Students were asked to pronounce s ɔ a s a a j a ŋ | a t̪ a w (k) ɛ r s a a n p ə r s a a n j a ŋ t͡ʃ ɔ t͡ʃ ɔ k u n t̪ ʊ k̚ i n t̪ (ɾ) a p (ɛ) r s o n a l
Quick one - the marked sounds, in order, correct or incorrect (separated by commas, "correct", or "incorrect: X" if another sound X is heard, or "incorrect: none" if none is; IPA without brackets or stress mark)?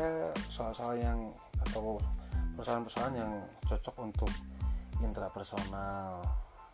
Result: incorrect: p, correct, correct